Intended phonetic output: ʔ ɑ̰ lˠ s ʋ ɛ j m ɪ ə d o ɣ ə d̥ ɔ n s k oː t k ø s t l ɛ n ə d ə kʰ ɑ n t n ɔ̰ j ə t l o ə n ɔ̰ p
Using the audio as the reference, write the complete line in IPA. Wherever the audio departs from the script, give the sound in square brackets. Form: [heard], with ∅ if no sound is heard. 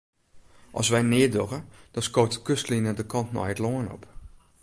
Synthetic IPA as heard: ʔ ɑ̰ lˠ s ʋ ɛ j [n] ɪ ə d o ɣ ə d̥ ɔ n s k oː t k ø s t l [i] n ə d ə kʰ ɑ n t n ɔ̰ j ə t l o ə n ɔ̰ p